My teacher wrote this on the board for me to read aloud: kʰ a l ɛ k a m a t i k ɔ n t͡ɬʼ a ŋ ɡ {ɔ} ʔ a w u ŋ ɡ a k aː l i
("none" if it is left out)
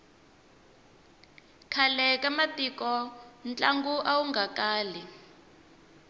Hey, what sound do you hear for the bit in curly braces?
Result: u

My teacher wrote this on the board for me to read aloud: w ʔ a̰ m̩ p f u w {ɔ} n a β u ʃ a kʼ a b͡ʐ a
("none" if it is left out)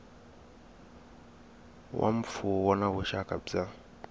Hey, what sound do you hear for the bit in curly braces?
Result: ɔ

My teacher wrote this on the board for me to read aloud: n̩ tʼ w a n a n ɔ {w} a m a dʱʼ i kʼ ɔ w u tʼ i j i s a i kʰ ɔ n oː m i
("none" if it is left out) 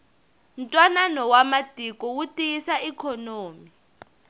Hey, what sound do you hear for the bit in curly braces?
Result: w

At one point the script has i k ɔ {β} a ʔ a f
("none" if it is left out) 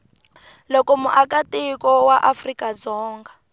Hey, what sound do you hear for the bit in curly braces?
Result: w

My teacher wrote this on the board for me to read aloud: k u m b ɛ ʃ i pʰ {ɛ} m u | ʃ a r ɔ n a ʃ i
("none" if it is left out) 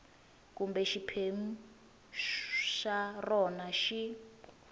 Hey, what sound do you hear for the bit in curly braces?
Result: e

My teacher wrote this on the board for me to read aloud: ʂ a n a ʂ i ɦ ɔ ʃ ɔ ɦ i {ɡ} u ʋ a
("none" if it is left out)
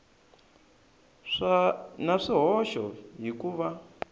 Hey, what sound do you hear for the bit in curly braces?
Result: k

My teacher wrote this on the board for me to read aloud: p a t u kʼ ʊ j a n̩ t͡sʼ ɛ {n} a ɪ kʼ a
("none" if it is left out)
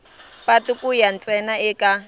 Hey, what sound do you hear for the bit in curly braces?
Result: n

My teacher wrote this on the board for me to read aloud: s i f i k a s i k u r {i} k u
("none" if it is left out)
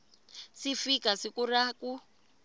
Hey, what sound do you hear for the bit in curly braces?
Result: a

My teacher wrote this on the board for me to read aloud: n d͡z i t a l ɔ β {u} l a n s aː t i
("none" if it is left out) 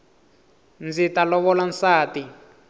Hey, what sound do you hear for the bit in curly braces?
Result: ɔ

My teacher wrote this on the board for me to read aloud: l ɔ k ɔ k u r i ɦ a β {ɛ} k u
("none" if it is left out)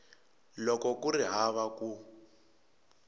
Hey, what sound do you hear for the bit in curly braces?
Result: a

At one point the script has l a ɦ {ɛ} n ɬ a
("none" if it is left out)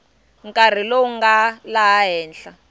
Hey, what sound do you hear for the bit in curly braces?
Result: ɛː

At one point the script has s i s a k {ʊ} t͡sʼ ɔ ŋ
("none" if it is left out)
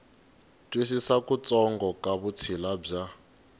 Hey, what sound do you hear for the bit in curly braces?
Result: u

